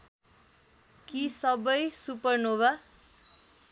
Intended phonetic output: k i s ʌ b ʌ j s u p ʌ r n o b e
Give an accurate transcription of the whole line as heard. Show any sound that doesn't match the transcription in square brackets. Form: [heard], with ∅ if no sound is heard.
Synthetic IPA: k i s ʌ b ʌ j s u p ʌ r n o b [a]